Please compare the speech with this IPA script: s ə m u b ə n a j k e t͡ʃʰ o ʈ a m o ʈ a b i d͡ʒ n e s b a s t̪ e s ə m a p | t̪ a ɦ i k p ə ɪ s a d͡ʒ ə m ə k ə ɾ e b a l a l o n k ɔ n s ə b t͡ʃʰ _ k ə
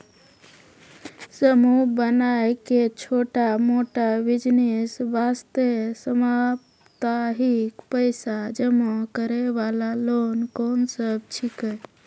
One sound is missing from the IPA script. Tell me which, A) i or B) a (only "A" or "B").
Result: A